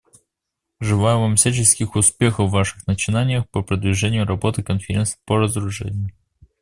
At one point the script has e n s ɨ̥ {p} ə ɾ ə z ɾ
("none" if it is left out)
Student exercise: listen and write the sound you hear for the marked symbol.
p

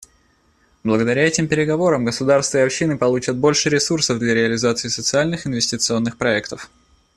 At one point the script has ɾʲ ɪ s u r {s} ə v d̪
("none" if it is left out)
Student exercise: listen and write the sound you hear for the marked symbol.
s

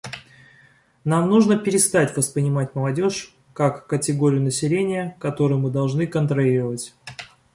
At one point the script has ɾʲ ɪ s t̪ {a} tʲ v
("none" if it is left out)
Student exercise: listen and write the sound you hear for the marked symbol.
a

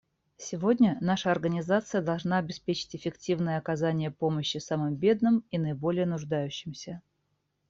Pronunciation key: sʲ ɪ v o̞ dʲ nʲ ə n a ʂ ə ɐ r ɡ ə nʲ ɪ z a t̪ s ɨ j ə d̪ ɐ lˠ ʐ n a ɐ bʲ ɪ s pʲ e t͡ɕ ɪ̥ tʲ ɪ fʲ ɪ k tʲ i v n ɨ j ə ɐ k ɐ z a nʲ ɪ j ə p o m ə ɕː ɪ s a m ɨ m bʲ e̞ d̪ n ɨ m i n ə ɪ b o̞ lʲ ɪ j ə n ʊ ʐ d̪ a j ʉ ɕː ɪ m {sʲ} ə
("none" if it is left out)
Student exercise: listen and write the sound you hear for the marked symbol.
sʲ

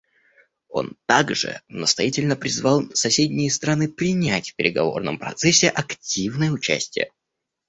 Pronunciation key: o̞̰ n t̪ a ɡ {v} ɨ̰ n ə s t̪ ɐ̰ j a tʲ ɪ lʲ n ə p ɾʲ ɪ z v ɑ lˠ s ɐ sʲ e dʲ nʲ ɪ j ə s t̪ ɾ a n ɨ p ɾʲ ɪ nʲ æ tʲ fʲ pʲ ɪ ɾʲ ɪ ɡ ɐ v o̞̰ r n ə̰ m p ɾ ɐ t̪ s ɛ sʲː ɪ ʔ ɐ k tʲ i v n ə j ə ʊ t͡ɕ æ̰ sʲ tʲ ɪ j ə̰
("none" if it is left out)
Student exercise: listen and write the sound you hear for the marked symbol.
ʐ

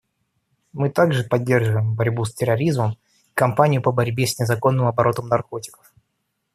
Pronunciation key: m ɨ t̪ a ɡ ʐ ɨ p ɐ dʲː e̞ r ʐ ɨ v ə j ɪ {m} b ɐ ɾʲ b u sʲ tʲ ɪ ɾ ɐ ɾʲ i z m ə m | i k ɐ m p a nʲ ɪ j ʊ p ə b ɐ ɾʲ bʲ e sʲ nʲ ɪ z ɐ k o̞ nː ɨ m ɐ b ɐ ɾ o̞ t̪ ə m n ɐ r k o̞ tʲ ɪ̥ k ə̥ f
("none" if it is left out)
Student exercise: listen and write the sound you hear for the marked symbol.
m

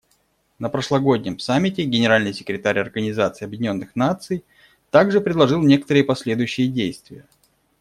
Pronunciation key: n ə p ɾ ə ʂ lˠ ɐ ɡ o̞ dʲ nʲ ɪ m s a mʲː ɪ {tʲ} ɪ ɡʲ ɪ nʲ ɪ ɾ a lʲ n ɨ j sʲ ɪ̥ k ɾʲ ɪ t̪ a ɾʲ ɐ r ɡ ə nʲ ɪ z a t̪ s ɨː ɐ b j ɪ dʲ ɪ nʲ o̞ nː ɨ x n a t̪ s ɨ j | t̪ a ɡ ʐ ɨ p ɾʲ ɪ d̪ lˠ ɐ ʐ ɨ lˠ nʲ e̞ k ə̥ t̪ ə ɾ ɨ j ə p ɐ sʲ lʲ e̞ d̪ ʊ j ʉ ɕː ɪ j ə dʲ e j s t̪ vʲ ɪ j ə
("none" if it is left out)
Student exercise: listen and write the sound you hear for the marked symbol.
tʲ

